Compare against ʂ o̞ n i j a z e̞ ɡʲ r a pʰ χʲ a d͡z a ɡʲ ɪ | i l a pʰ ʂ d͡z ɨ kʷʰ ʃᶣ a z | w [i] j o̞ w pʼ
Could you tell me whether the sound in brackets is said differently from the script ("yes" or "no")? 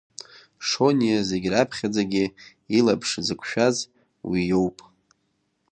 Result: no